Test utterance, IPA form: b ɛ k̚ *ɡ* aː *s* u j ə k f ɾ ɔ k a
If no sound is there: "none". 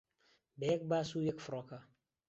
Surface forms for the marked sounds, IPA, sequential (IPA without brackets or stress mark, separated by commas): b, s